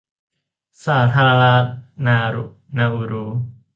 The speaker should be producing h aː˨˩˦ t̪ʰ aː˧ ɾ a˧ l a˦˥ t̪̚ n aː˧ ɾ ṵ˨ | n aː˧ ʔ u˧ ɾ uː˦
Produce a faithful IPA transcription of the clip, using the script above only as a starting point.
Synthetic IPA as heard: s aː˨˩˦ t̪ʰ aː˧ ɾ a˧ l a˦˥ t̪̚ n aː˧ ɾ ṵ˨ | n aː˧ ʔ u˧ ɾ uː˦